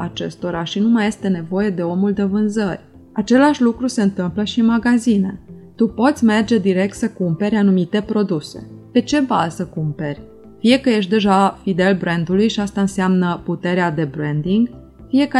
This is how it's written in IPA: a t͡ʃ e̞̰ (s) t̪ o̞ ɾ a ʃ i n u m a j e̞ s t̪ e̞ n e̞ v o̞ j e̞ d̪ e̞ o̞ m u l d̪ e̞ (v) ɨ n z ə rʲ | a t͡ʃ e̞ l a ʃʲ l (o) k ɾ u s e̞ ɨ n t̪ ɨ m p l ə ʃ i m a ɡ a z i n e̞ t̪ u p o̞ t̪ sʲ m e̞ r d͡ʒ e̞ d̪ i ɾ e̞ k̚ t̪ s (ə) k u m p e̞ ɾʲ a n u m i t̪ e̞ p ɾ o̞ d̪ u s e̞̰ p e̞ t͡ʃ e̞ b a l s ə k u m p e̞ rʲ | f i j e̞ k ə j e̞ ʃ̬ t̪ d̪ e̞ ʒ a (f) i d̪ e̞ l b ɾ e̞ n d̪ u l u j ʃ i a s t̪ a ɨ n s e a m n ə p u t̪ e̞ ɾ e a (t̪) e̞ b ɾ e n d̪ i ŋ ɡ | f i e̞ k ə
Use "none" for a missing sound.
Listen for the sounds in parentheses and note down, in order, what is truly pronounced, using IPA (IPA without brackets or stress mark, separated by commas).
s, v, u, ə, f, d̪